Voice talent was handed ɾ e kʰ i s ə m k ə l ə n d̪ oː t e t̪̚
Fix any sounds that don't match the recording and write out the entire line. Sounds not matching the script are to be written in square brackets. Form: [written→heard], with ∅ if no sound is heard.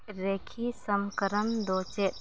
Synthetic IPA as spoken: ɾ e kʰ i s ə m k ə [l→ɾ] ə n d̪ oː [t→t͡ʃ] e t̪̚